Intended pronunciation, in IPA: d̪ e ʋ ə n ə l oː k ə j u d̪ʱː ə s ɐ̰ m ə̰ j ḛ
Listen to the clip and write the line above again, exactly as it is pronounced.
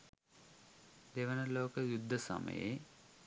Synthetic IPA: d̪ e ʋ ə n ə l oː k ə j u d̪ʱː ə s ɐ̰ m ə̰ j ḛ